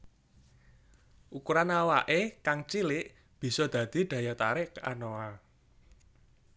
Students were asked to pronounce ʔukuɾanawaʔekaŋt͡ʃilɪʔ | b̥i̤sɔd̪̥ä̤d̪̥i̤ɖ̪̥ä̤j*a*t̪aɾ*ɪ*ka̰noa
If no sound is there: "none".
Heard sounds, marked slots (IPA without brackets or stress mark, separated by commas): a, ɪ